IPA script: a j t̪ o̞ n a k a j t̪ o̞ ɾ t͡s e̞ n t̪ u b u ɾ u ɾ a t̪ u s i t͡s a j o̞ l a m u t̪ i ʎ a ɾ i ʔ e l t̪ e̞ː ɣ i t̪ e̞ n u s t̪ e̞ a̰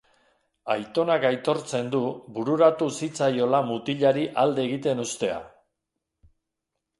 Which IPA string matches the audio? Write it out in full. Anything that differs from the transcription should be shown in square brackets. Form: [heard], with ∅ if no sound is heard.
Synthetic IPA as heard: a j t̪ o̞ n a k a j t̪ o̞ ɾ t͡s e̞ n [d̪] u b u ɾ u ɾ a t̪ u s i t͡s a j o̞ l a m u t̪ i ʎ a ɾ i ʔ [a] l [d̪] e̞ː ɣ i t̪ e̞ n u s t̪ e̞ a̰